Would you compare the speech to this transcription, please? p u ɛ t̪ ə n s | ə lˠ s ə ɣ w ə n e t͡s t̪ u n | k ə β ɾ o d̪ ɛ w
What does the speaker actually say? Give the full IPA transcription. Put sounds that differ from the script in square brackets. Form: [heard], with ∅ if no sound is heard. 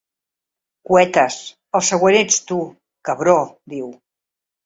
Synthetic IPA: [k] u ɛ t̪ ə [∅] s | ə lˠ s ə ɣ w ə n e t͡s t̪ u [∅] | k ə β ɾ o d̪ [i] w